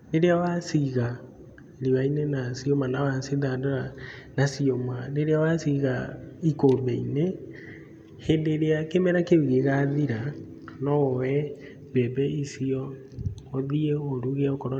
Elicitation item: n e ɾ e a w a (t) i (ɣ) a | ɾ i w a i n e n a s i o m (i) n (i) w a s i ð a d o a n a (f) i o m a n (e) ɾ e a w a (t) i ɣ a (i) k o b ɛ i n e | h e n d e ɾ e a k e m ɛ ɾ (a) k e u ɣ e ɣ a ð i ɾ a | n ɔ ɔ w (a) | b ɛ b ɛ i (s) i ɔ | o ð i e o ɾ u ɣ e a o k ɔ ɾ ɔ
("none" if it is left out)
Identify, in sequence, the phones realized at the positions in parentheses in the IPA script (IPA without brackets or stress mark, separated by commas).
s, ɣ, a, a, s, e, s, i, a, ɛ, s